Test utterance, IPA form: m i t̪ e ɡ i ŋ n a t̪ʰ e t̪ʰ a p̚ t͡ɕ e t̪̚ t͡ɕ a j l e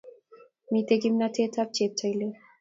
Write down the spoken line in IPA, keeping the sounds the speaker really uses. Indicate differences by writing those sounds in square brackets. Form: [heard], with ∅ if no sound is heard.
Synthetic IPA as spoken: m i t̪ e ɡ i [m] n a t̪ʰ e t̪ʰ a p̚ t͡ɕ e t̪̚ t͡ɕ a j l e

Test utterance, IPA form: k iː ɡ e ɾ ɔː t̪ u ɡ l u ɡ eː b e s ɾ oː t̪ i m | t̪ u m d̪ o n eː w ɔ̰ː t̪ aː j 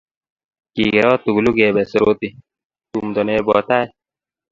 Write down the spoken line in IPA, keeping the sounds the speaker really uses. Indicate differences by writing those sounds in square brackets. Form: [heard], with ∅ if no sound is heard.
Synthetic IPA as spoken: k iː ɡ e ɾ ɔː t̪ u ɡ l u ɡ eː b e s ɾ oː t̪ i [∅] | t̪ u m d̪ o n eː [b] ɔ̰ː t̪ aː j

